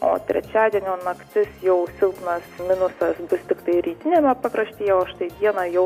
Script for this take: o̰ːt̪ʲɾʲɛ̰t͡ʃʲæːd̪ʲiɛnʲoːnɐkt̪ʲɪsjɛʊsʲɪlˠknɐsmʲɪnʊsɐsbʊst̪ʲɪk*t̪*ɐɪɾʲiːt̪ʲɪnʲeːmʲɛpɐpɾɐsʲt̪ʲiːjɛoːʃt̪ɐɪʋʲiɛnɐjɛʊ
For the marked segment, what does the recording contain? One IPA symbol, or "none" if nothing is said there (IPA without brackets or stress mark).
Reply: t̪